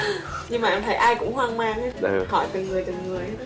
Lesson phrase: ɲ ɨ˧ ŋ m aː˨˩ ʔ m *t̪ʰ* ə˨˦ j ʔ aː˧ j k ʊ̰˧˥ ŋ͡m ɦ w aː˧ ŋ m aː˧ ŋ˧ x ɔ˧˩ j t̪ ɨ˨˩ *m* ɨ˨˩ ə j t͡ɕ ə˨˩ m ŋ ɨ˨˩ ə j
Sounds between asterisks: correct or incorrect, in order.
correct, incorrect: ŋ

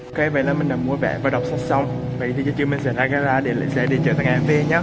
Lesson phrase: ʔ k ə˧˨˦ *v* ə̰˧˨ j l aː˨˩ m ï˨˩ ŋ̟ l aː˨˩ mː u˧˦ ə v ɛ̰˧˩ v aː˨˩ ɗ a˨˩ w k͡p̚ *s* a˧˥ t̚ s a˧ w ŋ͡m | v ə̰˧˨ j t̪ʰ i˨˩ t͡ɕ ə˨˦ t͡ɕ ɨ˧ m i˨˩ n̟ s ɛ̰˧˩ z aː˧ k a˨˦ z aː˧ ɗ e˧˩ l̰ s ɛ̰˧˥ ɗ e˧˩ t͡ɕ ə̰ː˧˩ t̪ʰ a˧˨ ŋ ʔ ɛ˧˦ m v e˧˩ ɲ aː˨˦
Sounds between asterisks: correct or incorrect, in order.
correct, correct

